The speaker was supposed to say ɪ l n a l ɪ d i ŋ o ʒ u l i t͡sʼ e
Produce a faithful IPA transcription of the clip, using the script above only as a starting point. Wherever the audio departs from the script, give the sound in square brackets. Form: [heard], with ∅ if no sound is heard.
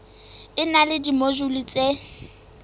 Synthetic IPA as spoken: ɪ [∅] n a l ɪ d i [m] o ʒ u l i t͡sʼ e